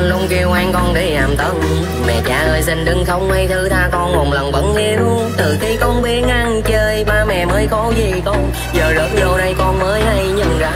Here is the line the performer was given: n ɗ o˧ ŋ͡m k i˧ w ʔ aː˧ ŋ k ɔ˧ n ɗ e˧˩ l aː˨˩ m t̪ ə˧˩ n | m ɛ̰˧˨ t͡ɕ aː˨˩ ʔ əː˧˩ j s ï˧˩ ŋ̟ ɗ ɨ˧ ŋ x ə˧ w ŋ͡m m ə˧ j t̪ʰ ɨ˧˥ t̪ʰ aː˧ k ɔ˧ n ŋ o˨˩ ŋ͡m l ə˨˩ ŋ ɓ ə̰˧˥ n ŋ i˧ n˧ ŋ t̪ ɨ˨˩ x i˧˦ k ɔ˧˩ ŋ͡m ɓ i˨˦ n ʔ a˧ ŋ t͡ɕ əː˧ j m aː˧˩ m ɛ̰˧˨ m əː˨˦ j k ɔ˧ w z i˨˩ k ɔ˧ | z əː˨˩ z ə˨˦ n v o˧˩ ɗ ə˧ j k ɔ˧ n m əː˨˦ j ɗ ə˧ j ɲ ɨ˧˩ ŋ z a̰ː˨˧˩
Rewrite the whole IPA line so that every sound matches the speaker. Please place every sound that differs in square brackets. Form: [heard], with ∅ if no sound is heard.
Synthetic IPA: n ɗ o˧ ŋ͡m k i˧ w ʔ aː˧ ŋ k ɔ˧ n ɗ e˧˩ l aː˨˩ m t̪ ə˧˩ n | m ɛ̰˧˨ t͡ɕ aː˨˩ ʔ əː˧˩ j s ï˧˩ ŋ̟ ɗ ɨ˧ ŋ x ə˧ w ŋ͡m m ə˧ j t̪ʰ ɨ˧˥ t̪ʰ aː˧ k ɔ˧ n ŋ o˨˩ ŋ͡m l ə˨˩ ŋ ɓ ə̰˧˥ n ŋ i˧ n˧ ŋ t̪ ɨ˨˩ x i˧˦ k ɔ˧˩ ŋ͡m ɓ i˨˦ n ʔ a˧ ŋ t͡ɕ əː˧ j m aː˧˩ m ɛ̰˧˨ m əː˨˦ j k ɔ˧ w z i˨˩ k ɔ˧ | z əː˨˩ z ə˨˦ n [z] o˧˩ ɗ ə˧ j k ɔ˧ n m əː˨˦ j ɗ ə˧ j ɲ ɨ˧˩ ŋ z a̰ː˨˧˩